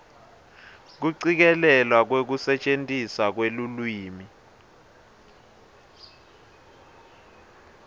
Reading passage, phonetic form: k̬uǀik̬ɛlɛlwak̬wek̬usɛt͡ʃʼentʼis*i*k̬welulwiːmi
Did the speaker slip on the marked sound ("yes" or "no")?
yes